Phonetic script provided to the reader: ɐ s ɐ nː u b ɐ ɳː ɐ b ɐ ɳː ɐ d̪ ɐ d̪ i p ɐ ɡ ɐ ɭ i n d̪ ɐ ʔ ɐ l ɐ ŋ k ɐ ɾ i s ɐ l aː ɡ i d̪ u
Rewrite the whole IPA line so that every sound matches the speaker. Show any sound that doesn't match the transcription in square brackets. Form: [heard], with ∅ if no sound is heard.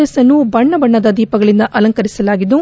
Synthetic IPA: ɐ s ɐ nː u b ɐ ɳː ɐ b ɐ ɳː ɐ d̪ ɐ d̪ [iː] p ɐ ɡ ɐ ɭ i n d̪ ɐ ʔ ɐ l ɐ ŋ k ɐ ɾ i s ɐ l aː ɡ i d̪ u